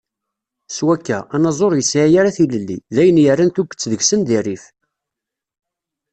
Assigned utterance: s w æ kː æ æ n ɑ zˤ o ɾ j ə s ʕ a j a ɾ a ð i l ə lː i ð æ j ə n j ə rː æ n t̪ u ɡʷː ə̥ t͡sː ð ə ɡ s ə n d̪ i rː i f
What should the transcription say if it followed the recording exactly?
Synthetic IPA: s w æ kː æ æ n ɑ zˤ o ɾ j ə s ʕ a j a ɾ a θ i l ə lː i ð æ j ə n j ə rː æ n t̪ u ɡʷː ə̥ t͡sː ð ə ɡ s ə n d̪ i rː i f